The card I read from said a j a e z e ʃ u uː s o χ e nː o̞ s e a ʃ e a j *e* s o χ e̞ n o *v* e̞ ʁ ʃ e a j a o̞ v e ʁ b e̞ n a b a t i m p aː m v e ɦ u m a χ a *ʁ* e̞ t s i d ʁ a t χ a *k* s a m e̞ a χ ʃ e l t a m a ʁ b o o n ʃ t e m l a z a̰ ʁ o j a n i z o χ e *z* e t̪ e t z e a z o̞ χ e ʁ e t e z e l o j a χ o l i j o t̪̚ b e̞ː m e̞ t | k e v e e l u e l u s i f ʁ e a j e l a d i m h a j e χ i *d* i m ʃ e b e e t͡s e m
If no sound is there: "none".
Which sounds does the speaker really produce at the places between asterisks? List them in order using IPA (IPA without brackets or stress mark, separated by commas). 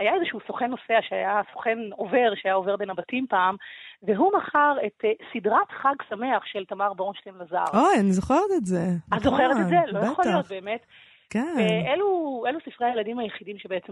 a, v, ʁ, ɡ, ʁ, d